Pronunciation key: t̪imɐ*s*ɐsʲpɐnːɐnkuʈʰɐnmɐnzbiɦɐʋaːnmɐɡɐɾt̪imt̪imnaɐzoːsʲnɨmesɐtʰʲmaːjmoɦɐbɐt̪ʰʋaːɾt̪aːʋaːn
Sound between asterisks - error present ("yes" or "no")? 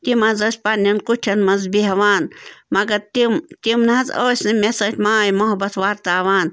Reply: yes